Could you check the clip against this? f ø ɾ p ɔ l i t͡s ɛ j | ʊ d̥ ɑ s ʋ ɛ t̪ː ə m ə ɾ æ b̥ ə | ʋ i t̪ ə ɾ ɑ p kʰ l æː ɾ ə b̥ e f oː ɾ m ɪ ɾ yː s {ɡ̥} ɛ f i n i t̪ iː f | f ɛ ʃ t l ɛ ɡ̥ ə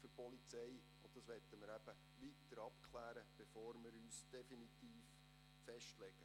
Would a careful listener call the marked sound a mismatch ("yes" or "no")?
yes